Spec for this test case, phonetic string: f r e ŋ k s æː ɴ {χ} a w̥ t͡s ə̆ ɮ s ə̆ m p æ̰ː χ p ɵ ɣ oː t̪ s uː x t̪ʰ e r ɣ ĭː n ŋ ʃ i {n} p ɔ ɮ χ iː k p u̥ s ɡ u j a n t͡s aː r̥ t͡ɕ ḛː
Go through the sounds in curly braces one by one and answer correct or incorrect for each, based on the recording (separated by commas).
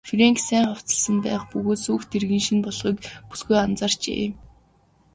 correct, correct